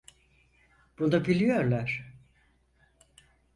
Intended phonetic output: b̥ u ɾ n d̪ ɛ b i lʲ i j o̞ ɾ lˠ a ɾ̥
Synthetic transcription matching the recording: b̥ u n d̪ a b i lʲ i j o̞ ɾ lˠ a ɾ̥

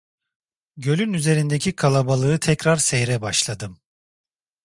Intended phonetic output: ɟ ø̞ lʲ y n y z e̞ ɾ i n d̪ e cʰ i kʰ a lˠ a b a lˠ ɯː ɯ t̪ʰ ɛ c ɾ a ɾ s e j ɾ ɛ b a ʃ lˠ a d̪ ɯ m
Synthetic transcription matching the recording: ɟ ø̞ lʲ y n y z e̞ ɾ i n d̪ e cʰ i kʰ a lˠ a b a lˠ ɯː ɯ t̪ʰ ɛ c ɾ a ɾ s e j ɾ ɛ b a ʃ lˠ a d̪ ɯ m

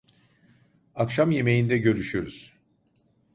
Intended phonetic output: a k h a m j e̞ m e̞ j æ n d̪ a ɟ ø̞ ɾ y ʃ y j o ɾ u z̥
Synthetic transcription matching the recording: a k ʃ a m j e̞ m e̞ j i n d̪ ɛ ɟ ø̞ ɾ y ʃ y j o ɾ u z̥

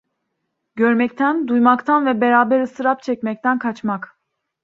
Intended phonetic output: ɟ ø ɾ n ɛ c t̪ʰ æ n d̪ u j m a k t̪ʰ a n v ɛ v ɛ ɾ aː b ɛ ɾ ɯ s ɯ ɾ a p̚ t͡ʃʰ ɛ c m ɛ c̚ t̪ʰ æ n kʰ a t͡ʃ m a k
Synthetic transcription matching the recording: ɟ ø ɾ m ɛ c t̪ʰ æ n d̪ u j m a k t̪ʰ a n v ɛ b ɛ ɾ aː b ɛ ɾ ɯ s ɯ ɾ a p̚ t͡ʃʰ ɛ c m ɛ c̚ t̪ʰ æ n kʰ a t͡ʃ m a k

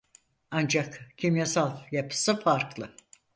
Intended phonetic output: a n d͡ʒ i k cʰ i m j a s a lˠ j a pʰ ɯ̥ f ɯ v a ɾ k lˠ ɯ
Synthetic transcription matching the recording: a n d͡ʒ a k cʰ i m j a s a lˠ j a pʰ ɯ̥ s ɯ f a ɾ k lˠ ɯ

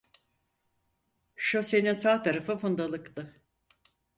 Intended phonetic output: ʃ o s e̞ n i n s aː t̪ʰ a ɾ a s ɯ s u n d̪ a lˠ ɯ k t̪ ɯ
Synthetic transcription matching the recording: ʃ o s e̞ n i n s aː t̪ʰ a ɾ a f ɯ f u n d̪ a lˠ ɯ k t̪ ɯ

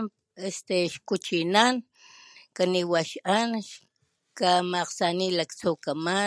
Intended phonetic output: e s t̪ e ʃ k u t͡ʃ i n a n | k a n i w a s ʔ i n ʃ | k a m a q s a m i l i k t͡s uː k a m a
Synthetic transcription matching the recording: e s t̪ e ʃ k u t͡ʃ i n a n | k a n i w a ʃ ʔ a n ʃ | k a m a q s a n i l a k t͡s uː k a m a

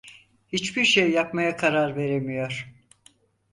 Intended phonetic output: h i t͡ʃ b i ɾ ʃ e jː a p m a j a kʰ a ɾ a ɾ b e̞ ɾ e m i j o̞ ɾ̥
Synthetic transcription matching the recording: h i t͡ʃ b i ɾ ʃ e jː a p m a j a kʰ a ɾ a ɾ v e̞ ɾ e m i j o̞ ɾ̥

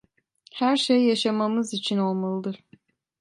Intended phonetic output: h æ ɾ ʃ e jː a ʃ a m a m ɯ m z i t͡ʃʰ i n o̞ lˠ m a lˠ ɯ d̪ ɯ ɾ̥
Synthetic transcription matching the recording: h æ ɾ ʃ e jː a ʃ a m a m ɯ z i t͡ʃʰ i n o̞ lˠ m a lˠ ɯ d̪ ɯ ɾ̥

